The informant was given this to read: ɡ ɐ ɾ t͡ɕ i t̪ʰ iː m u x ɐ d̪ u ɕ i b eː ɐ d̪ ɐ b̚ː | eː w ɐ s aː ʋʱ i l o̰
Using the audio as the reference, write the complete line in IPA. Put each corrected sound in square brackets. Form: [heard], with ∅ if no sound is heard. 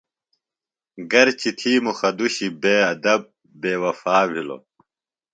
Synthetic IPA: ɡ ɐ ɾ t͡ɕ i t̪ʰ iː m u x ɐ d̪ u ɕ i b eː ɐ d̪ ɐ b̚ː | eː w ɐ [f] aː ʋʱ i l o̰

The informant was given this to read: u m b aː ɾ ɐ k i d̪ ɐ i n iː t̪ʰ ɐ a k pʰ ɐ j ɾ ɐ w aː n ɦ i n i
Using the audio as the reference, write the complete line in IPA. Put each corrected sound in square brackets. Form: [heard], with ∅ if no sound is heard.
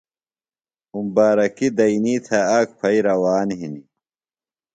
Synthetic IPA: u m b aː ɾ ɐ k i d̪ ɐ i n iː t̪ʰ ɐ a k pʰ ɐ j ɾ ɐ w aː n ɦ i n i

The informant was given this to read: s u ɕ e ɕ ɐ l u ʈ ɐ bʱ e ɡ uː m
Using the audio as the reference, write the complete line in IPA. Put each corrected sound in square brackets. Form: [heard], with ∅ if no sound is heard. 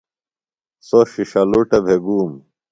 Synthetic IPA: s [o] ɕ [i] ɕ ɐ l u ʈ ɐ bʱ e ɡ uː m

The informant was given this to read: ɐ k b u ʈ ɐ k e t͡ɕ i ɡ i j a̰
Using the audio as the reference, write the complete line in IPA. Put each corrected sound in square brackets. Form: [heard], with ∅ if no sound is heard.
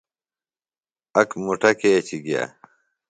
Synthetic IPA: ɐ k [m] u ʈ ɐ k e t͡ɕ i ɡ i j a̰

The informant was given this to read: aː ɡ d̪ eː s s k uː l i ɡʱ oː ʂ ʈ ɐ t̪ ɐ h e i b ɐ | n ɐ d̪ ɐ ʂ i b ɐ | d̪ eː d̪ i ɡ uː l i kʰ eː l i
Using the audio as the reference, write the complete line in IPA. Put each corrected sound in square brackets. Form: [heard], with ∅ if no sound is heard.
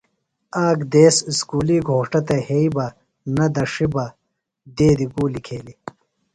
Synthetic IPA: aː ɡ d̪ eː s s k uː l i ɡʱ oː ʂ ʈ ɐ t̪ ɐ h e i b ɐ | n ɐ d̪ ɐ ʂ i b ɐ | d̪ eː d̪ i ɡ uː l i kʰ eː l i

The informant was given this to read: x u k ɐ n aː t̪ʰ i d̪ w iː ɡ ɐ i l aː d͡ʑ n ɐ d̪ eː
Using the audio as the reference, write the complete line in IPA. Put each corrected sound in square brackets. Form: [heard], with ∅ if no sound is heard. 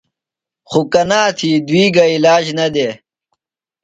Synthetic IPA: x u k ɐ n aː t̪ʰ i d̪ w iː ɡ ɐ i l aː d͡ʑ n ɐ d̪ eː

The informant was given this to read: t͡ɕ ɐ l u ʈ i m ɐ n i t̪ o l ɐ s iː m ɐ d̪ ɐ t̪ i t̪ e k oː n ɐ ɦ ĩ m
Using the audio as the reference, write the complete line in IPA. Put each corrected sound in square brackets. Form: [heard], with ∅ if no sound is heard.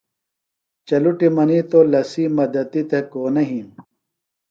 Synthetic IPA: t͡ɕ ɐ l u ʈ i m ɐ n i t̪ o l ɐ s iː m ɐ d̪ ɐ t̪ i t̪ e k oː n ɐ ɦ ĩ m

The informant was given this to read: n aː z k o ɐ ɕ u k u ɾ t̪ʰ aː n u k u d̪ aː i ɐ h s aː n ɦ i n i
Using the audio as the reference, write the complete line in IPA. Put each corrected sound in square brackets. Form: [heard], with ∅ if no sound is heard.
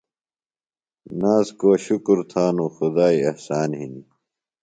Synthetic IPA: n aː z k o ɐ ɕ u k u ɾ t̪ʰ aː n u [x] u d̪ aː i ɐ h s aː n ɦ i n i

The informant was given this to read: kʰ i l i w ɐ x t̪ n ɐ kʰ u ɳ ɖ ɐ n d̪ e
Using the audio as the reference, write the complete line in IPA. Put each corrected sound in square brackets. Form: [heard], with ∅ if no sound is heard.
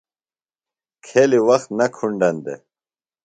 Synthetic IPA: kʰ [e] l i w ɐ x t̪ n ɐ kʰ u ɳ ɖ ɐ n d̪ e

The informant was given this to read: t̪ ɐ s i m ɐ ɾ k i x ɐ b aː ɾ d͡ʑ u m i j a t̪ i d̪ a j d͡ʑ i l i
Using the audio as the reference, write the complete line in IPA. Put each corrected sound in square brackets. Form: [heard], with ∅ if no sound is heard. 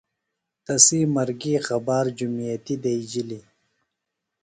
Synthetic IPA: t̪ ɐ s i m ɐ ɾ [ɡ] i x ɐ b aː ɾ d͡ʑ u m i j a t̪ i d̪ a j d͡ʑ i l i

